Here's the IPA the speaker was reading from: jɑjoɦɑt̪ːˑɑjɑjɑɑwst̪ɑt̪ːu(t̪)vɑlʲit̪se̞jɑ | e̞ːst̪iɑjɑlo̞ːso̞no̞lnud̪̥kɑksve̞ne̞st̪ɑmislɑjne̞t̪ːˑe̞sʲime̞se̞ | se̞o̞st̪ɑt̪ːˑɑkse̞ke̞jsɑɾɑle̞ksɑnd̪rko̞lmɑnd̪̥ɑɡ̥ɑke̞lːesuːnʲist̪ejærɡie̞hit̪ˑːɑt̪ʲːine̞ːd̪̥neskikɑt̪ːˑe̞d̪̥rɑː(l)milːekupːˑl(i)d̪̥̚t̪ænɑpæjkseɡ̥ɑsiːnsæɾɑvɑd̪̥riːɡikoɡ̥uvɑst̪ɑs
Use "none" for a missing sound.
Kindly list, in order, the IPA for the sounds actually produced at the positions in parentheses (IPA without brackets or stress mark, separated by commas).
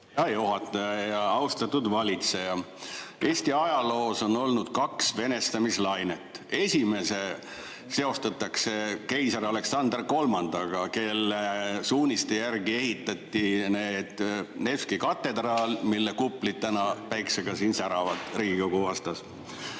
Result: d̪, l, i